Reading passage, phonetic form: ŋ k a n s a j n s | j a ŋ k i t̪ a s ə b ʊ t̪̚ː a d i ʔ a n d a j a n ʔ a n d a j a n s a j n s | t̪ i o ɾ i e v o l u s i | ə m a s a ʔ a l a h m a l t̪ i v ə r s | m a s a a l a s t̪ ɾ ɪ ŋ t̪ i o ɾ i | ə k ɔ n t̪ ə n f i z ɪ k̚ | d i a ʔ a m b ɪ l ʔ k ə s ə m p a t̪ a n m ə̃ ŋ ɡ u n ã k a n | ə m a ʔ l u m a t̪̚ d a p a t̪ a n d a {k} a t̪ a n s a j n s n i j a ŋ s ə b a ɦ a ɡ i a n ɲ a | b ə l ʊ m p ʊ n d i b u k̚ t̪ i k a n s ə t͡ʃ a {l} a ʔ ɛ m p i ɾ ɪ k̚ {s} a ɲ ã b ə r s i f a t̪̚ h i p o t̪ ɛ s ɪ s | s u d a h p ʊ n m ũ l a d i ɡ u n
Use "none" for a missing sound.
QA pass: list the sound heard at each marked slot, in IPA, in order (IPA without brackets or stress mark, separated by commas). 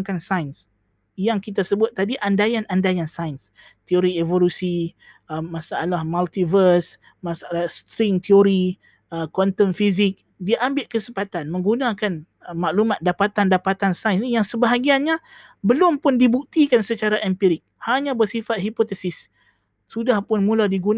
p, ɾ, h